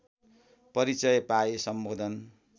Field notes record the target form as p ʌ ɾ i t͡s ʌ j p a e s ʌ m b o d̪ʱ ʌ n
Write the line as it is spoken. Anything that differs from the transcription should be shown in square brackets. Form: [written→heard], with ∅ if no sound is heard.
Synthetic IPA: p ʌ ɾ i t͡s ʌ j p a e s ʌ m b o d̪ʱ ʌ n